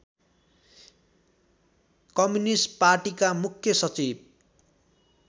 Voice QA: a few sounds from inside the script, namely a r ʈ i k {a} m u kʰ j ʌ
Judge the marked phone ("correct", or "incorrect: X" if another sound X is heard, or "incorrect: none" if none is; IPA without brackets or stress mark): correct